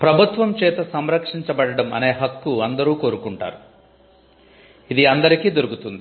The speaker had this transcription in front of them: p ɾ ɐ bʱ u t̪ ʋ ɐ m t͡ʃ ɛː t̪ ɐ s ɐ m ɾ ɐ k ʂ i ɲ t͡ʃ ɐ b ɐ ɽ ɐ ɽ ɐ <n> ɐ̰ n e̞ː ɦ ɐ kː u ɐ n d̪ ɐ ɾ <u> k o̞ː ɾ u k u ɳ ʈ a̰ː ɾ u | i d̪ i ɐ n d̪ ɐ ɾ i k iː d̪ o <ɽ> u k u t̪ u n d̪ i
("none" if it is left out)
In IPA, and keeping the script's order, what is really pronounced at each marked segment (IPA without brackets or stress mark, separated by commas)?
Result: m, uː, ɾ